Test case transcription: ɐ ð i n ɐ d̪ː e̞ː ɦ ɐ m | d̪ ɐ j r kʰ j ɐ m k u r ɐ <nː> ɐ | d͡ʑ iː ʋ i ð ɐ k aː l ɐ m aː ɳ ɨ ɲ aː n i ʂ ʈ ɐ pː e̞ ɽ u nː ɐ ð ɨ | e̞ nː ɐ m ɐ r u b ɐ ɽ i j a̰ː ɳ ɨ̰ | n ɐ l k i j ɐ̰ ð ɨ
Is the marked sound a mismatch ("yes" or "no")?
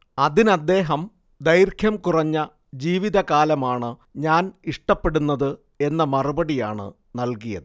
yes